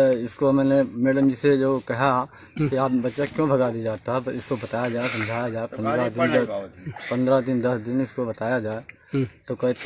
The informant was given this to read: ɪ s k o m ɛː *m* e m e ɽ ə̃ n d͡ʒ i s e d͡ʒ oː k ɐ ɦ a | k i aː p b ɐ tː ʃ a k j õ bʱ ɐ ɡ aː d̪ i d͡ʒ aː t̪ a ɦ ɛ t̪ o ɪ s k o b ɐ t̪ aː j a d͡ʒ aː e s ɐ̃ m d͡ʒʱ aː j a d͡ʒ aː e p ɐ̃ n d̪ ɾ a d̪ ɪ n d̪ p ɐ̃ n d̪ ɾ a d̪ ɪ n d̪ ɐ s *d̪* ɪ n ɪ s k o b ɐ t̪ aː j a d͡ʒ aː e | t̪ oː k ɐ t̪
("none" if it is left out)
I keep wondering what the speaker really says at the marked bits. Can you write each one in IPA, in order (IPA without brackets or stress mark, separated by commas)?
n, d̪